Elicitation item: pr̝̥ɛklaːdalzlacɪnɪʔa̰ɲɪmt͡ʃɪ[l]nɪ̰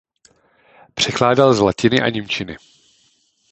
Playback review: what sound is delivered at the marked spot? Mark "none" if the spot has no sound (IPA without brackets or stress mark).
none